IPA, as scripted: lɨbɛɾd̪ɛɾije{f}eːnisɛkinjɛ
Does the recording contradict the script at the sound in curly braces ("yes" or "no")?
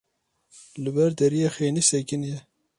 yes